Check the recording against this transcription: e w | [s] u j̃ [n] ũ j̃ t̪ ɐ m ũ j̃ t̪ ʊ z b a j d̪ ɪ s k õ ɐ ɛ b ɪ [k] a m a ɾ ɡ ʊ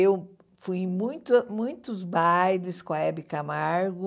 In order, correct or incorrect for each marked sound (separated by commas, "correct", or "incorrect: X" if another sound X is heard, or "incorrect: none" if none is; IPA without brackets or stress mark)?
incorrect: f, incorrect: m, correct